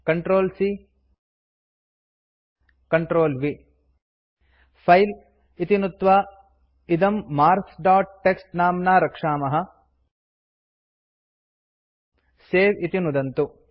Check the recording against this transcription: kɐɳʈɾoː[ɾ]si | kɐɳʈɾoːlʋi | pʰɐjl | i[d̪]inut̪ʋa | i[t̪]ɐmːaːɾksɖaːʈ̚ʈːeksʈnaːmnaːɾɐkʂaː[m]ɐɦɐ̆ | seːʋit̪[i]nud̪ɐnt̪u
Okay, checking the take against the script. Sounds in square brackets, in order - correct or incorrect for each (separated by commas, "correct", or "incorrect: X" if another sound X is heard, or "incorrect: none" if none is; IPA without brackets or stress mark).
incorrect: l, incorrect: t̪, incorrect: d̪, correct, correct